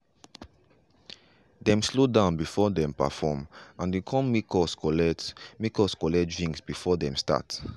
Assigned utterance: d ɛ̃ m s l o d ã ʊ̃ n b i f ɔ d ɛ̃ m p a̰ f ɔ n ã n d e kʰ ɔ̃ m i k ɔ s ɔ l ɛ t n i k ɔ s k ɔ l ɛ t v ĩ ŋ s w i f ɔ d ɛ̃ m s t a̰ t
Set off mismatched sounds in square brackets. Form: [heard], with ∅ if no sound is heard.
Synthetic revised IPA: d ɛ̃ m s l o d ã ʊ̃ n b i f ɔ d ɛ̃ m p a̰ f ɔ [m] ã n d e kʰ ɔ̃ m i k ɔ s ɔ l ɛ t [m] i k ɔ s k ɔ l ɛ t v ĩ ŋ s [b] i f ɔ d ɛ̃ m s t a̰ t